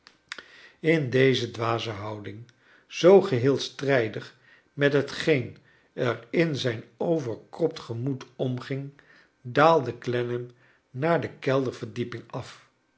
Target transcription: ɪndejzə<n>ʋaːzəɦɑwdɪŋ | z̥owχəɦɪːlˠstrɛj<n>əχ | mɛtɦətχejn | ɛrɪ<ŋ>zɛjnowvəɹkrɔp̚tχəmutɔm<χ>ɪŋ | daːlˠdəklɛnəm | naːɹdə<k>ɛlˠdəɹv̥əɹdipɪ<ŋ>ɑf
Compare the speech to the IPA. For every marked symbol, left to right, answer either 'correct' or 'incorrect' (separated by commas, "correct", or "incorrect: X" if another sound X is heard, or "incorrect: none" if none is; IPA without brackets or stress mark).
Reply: incorrect: d, incorrect: d, incorrect: n, correct, correct, correct